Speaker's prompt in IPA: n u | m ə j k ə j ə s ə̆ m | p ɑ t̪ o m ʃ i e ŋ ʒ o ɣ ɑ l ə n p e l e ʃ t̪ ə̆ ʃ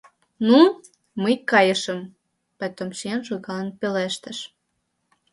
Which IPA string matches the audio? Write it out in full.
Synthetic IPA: n u | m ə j k ɑ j ə ʃ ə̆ m | p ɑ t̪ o m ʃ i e n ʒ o ɣ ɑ l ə n p e l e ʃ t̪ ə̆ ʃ

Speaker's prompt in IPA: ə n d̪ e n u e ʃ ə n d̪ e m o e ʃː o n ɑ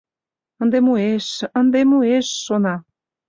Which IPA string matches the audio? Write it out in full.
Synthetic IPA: ə n d̪ e m u e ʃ ə n d̪ e m u e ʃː o n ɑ

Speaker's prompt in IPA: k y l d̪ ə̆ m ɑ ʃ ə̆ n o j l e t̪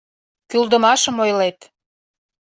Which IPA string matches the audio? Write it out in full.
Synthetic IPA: k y l d̪ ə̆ m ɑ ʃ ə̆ m o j l e t̪

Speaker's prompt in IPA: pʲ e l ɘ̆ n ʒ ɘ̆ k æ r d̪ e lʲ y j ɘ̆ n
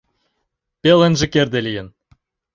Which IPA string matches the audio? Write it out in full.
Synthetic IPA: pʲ e l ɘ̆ n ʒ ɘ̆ k e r d̪ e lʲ i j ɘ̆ n

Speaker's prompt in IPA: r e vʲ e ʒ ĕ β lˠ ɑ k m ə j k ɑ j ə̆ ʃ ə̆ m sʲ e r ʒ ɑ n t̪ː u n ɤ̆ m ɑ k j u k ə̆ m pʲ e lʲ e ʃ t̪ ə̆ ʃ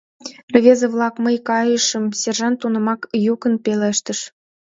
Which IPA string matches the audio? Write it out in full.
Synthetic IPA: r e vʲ e z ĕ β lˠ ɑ k m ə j k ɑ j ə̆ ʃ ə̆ m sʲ e r ʒ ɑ n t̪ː u n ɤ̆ m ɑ k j u k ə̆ n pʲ e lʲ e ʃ t̪ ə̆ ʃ

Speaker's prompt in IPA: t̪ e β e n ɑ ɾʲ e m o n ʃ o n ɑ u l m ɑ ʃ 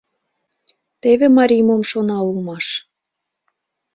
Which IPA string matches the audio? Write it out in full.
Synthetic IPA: t̪ e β e m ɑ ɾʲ i m o m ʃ o n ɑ u l m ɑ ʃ

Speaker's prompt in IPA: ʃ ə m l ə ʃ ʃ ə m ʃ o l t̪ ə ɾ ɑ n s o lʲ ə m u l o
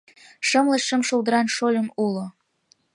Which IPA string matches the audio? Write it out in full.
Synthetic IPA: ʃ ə m l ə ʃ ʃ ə m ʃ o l d̪ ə ɾ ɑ n ʃ o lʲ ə m u l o

